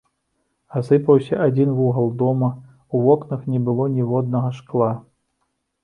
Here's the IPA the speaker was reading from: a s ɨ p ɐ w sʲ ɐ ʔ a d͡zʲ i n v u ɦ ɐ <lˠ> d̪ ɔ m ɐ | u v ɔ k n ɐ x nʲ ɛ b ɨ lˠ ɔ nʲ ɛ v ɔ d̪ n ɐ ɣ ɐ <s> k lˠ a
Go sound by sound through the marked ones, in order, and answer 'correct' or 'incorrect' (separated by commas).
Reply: correct, incorrect